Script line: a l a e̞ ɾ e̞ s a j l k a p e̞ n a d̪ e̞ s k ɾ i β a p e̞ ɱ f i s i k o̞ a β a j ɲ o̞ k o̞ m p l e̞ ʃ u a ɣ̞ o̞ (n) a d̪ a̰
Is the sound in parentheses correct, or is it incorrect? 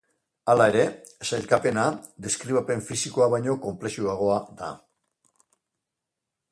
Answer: incorrect